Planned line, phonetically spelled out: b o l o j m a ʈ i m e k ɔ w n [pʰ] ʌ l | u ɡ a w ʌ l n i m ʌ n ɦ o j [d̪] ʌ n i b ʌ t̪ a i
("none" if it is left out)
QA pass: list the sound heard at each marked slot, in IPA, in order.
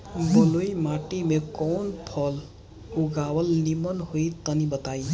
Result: pʰ, t̪

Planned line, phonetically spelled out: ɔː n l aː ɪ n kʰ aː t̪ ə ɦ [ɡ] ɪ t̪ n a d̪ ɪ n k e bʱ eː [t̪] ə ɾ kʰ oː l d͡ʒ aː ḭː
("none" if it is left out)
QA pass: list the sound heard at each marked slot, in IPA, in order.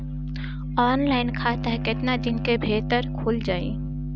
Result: k, t̪

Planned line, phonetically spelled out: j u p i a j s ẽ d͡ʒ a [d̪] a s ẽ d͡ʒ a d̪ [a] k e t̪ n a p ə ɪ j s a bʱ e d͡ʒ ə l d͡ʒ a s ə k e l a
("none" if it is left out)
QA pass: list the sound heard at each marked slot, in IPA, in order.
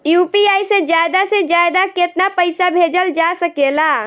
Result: d̪, a

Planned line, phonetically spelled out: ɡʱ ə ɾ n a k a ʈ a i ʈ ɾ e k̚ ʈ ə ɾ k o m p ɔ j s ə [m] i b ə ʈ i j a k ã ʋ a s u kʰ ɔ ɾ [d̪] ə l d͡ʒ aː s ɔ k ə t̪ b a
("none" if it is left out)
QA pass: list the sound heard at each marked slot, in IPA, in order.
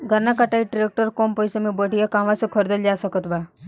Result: m, d̪

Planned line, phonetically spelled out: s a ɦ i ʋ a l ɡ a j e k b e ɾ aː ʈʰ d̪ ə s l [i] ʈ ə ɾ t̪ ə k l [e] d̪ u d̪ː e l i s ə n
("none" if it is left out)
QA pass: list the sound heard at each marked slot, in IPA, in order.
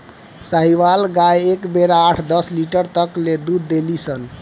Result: i, e

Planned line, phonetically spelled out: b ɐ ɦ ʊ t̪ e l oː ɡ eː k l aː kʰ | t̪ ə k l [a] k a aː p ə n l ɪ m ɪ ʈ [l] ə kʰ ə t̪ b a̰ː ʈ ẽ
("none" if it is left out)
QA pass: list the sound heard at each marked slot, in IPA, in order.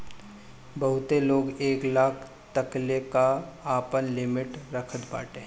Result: e, ɾ

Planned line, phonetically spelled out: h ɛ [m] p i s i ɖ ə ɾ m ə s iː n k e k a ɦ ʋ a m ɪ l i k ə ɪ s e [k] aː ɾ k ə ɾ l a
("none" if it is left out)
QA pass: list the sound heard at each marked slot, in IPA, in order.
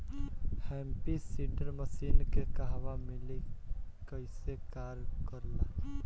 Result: m, k

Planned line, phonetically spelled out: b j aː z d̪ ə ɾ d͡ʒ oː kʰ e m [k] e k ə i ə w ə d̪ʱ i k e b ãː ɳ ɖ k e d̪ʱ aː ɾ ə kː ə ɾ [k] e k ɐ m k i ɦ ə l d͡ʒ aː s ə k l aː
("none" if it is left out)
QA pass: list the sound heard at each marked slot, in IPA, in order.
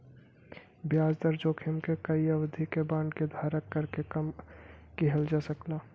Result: k, k

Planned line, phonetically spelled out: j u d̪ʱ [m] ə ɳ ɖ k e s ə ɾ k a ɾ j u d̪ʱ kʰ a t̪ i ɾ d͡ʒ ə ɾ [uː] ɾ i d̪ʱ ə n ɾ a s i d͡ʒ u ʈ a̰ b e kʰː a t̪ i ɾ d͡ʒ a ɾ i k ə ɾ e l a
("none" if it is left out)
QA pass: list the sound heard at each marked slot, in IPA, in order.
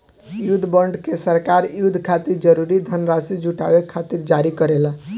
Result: b, u

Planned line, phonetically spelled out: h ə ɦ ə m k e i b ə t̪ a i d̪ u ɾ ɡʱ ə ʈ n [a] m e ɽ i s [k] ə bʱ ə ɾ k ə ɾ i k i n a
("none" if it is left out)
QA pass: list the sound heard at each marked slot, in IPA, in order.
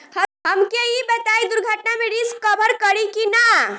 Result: a, k

